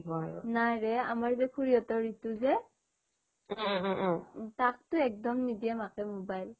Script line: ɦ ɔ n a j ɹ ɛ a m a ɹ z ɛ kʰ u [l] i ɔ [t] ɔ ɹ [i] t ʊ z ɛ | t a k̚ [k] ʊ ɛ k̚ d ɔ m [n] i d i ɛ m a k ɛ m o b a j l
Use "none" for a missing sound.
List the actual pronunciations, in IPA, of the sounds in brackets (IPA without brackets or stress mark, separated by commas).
ɹ, t, i, t, n